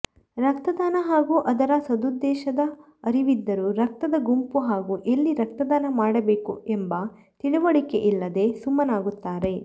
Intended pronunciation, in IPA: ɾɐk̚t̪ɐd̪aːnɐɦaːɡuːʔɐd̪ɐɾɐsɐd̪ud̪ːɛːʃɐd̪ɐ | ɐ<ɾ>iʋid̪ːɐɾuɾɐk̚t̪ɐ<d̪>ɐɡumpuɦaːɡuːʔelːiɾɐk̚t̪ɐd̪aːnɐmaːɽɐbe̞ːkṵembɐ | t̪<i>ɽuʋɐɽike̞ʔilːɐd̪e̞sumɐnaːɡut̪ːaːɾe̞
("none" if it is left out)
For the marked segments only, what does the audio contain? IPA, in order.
ɾ, d̪, i

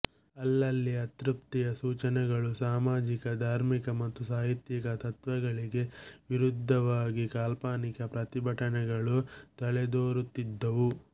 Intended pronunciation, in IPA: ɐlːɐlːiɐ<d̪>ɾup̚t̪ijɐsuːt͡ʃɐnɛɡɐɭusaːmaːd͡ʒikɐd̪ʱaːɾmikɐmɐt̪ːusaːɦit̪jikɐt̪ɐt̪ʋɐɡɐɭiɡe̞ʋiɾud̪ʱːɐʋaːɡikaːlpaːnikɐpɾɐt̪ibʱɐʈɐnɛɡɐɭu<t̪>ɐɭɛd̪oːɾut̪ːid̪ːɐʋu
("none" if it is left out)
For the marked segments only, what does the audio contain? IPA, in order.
t̪, t̪

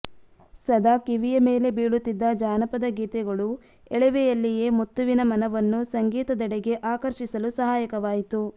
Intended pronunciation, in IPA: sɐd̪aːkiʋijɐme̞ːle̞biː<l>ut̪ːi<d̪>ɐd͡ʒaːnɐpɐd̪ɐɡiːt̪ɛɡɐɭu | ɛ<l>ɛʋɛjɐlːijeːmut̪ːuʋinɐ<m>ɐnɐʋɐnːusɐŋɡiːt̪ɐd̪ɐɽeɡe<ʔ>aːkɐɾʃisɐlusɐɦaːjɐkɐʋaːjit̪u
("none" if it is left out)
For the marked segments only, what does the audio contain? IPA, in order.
ɭ, d̪ː, ɭ, m, ʔ

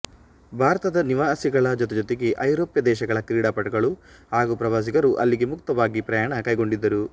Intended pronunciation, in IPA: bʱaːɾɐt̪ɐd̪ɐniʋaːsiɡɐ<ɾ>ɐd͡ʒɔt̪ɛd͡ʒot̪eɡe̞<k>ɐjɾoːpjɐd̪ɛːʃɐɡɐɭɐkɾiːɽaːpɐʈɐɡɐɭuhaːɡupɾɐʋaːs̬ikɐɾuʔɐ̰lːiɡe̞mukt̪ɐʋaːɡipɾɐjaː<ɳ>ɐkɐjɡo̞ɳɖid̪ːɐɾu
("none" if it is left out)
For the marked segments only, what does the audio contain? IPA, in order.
ɭ, ʔ, ɳ

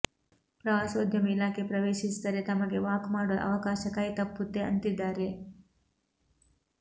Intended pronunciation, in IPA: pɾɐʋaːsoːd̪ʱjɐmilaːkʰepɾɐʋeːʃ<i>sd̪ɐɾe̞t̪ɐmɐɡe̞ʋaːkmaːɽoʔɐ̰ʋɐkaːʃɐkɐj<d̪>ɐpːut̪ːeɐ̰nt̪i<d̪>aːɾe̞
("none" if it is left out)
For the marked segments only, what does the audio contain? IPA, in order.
i, t̪, d̪ː

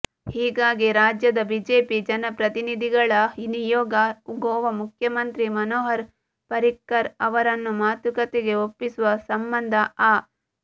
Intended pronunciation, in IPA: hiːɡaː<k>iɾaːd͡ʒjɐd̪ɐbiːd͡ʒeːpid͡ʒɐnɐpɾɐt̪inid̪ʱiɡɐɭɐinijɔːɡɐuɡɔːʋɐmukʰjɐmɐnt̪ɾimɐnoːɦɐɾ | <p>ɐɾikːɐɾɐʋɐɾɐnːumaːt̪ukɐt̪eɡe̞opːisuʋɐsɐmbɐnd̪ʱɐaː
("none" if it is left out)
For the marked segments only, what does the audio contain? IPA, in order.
ɡ, p

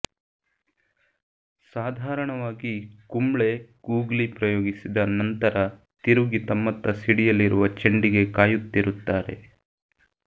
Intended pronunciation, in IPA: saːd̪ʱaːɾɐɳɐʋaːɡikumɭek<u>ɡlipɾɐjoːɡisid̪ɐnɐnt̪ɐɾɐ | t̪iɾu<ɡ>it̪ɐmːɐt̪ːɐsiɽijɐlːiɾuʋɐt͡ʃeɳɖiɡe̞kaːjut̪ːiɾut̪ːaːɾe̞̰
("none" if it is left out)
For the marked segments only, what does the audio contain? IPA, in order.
uː, ɡ

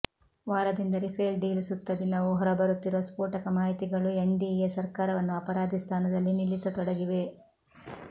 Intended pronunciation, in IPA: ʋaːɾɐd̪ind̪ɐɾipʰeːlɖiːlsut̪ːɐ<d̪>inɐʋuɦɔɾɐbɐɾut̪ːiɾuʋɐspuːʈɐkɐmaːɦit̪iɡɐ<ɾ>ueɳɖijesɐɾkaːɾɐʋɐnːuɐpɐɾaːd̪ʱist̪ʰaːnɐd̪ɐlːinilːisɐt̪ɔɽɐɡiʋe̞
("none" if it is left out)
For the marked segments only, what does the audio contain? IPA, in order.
d̪, ɭ

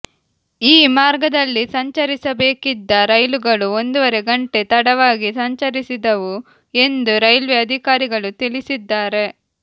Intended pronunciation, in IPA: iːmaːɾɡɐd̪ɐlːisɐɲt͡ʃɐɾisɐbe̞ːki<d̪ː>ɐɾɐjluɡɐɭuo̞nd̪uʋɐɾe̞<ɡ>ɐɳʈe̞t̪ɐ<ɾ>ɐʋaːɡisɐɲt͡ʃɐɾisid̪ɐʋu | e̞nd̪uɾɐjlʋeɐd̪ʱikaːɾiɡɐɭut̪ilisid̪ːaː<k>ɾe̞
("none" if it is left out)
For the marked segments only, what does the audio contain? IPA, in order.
d̪ː, ɡ, ɽ, none

